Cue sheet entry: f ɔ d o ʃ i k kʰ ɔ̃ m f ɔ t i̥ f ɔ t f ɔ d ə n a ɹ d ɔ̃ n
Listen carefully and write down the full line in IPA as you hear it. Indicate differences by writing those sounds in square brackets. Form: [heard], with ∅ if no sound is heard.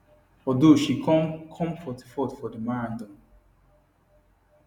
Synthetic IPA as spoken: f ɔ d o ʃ i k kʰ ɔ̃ m f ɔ t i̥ f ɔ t f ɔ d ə [m] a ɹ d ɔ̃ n